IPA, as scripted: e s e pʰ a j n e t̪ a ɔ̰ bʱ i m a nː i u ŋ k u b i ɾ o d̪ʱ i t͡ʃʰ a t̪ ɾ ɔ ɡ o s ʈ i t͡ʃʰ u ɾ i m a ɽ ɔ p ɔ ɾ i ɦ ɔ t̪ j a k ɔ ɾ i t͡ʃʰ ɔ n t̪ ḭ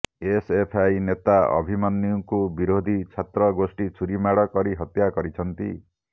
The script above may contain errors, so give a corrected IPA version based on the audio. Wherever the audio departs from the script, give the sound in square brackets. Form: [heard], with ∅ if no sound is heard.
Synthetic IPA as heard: e s e pʰ a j n e t̪ a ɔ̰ bʱ i m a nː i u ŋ k u b i ɾ o d̪ʱ i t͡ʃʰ a t̪ ɾ ɔ ɡ o s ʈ i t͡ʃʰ u ɾ i m a ɽ ɔ [k] ɔ ɾ i ɦ ɔ t̪ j a k ɔ ɾ i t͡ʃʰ ɔ n t̪ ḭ